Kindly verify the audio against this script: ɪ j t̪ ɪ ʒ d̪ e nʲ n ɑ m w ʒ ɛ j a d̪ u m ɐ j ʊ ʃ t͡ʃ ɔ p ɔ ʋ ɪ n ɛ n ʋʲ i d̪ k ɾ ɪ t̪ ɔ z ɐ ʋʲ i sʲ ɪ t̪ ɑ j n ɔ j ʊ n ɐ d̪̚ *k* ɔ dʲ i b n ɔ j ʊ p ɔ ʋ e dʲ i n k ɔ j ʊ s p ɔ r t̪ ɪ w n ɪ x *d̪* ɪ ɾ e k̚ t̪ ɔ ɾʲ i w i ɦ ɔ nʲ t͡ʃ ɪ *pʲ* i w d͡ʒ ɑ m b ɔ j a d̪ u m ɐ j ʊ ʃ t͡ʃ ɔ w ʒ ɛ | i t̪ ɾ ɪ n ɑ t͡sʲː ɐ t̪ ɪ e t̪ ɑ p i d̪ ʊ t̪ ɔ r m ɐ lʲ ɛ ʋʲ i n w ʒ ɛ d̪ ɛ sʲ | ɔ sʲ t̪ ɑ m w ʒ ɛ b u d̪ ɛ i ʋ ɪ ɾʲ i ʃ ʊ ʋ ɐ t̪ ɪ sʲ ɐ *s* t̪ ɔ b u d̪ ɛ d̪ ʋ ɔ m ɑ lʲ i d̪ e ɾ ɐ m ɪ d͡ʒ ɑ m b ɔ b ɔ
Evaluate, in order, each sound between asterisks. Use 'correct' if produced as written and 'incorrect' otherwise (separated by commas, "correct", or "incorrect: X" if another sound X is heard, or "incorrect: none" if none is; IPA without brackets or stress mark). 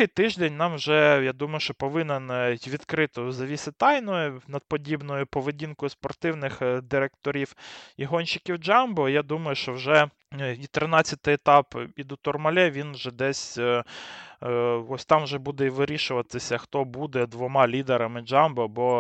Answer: incorrect: p, correct, incorrect: kʲ, incorrect: x